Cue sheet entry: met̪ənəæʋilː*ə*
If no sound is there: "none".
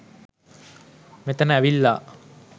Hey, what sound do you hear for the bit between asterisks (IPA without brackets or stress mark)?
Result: a